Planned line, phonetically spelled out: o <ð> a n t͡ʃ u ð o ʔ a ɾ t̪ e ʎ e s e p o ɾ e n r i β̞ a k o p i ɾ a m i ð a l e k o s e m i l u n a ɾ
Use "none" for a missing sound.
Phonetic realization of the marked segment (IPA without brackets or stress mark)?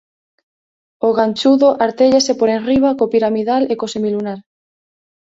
ɣ